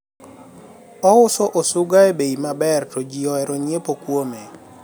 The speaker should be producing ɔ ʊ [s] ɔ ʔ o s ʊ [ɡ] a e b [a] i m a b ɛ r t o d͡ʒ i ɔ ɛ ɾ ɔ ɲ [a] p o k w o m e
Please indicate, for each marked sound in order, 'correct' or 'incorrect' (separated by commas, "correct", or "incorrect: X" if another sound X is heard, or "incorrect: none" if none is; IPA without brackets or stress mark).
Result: correct, correct, incorrect: e, incorrect: e